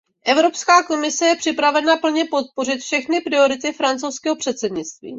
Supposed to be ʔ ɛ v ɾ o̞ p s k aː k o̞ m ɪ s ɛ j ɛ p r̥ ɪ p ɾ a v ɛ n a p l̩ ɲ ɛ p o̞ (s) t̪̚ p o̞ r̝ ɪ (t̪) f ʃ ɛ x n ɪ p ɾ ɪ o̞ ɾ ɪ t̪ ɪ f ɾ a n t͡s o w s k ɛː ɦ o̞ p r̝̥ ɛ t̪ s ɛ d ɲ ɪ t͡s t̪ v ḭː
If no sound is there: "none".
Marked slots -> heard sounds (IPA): none, t̪

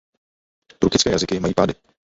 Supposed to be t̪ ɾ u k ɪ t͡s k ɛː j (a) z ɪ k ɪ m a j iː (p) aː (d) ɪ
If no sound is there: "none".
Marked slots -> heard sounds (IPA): a, p, d

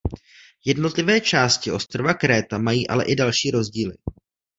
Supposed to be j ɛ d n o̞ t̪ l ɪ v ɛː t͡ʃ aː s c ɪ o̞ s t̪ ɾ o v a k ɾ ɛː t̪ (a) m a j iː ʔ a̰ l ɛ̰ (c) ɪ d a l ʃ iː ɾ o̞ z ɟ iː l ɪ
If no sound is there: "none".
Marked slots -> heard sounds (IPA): a, ʔ

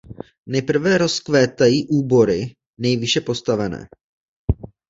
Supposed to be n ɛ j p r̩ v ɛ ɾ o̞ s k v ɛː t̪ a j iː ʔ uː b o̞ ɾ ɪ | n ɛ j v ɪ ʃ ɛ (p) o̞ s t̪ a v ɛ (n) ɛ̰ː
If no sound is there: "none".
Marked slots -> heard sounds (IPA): p, n

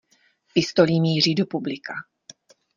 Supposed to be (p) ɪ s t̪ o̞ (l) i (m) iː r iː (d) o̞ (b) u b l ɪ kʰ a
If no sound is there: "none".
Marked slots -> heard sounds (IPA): p, l, m, d, p

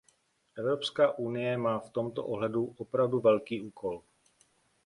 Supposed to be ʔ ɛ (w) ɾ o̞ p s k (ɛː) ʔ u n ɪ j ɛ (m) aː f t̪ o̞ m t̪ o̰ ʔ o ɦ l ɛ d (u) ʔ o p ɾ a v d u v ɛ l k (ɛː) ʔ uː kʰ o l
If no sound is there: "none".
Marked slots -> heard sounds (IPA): v, aː, m, u, iː

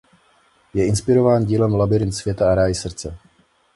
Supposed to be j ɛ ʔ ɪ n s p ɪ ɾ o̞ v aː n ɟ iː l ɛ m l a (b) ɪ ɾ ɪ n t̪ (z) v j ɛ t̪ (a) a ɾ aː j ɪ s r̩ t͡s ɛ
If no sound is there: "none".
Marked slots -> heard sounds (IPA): b, s, a

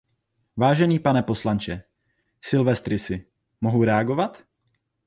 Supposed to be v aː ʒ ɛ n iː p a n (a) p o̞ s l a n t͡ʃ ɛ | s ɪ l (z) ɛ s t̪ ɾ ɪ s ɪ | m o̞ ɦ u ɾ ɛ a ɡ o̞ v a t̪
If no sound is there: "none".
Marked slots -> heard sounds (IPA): ɛ, v

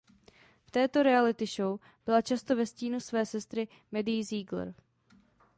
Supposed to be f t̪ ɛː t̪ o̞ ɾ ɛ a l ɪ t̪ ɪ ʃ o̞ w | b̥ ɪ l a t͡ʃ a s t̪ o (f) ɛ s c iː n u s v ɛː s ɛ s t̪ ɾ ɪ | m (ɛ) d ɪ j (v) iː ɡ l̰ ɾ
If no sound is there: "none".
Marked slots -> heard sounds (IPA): v, ɛ, z

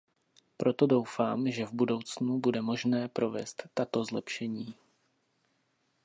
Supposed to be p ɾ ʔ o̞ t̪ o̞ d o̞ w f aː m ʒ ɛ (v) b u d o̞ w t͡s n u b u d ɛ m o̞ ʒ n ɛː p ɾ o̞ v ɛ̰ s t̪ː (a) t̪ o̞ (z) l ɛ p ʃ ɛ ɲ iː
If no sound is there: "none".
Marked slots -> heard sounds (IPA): v, a, z

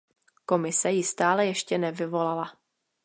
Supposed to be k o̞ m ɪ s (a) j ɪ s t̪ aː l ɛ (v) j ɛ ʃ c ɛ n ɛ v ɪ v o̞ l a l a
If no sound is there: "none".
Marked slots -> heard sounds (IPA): ɛ, none

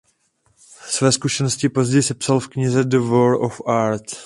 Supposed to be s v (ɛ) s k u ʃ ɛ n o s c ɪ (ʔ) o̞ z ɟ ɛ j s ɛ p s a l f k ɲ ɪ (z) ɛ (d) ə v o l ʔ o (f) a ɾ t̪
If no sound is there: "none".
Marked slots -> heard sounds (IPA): ɛː, p, z, d, f

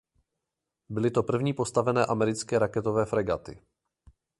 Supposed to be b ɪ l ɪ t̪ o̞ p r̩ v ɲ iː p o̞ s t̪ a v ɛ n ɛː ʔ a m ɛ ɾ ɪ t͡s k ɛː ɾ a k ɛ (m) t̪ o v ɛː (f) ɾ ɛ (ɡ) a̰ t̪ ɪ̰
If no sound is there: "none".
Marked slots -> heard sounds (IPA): none, f, ɡ

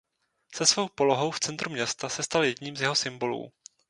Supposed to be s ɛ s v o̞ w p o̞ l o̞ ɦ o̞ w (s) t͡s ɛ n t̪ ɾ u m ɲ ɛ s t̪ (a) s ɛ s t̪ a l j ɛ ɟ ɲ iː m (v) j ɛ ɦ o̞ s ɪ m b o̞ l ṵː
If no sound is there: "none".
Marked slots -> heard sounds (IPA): f, a, z

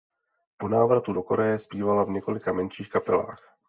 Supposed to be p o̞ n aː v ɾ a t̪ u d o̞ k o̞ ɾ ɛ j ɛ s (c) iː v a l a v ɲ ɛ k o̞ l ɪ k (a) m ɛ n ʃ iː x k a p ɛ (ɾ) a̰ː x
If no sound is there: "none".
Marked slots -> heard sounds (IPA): p, a, l

